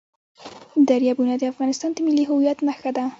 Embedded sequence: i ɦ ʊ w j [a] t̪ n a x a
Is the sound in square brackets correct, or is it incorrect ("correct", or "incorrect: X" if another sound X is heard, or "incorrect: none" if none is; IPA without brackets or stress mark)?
correct